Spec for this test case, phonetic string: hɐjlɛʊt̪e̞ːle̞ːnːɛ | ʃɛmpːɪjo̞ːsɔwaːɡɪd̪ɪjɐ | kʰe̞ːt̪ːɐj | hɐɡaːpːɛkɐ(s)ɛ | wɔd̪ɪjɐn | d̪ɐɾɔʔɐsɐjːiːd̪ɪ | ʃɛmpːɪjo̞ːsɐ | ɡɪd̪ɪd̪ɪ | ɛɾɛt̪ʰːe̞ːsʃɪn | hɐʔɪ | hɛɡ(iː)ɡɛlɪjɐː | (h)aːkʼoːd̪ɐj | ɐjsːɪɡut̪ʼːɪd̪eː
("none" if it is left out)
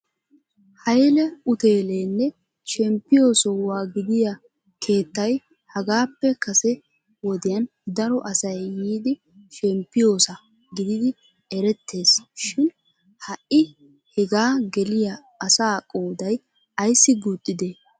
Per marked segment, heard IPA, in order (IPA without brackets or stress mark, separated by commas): s, aː, s